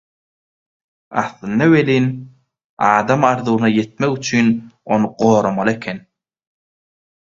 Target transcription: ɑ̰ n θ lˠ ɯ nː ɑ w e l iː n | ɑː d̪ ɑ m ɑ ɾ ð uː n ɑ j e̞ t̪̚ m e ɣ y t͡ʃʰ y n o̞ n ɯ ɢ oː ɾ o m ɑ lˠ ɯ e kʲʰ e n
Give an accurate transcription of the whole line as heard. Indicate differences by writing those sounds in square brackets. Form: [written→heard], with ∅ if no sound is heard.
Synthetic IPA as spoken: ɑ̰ [n→∅] θ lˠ ɯ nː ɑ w e l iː n | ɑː d̪ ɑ m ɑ ɾ ð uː n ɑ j e̞ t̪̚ m e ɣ y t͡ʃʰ y n o̞ n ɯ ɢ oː ɾ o m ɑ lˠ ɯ e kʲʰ e n